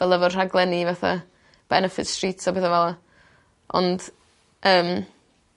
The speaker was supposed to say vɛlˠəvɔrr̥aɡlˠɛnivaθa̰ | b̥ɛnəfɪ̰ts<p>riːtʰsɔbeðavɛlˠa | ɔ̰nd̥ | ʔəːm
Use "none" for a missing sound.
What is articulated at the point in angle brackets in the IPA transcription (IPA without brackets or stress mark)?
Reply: t